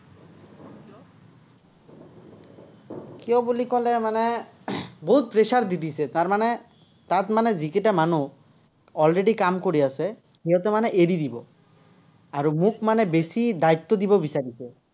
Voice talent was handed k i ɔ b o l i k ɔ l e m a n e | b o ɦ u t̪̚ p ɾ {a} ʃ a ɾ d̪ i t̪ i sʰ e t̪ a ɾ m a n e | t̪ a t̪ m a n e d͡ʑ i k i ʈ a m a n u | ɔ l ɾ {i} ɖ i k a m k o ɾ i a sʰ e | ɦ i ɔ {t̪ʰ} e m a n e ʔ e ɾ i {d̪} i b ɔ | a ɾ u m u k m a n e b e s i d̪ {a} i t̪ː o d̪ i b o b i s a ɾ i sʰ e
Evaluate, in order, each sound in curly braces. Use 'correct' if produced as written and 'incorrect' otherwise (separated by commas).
incorrect, incorrect, incorrect, correct, correct